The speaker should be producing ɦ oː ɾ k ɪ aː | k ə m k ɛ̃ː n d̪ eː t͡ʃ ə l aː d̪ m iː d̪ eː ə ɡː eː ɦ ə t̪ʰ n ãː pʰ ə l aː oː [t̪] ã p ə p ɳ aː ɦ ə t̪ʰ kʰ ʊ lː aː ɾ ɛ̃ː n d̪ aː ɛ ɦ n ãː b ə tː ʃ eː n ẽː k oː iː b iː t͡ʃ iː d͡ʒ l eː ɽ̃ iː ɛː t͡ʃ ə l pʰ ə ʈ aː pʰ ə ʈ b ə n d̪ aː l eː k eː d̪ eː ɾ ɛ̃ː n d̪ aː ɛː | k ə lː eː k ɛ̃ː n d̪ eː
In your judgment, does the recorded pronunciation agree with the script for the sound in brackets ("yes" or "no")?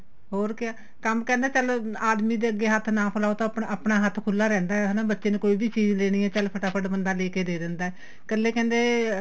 yes